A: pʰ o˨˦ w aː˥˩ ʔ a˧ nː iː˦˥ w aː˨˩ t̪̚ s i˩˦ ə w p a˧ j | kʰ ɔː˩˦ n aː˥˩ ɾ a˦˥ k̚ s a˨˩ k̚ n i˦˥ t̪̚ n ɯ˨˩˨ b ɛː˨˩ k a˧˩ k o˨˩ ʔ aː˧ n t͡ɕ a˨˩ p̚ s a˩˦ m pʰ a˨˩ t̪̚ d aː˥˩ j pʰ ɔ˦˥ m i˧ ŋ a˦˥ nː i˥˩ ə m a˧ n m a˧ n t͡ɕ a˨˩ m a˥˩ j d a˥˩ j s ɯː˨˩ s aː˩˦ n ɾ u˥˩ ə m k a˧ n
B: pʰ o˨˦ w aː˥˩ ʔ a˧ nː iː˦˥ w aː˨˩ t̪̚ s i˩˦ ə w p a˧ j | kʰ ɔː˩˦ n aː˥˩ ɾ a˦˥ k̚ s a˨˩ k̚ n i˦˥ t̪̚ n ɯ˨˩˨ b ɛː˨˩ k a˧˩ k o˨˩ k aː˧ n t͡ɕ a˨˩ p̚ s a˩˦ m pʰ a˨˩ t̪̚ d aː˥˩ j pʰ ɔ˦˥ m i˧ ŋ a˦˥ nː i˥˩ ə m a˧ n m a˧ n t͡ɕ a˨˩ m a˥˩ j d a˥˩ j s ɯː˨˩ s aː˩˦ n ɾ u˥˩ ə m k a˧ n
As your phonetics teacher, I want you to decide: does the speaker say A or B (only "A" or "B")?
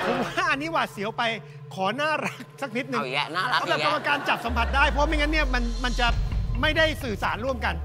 B